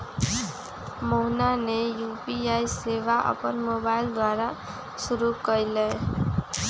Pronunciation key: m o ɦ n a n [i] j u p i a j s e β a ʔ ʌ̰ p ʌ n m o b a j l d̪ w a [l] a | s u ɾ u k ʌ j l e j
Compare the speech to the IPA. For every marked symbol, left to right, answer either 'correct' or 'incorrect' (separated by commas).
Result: incorrect, incorrect